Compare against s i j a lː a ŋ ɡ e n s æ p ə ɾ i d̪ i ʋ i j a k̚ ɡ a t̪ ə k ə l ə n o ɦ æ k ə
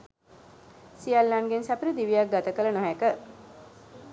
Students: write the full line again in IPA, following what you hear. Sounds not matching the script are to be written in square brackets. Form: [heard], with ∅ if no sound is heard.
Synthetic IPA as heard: s i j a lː a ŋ ɡ e n s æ p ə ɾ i d̪ i ʋ i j a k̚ ɡ a t̪ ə k ə l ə n o ɦ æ k ə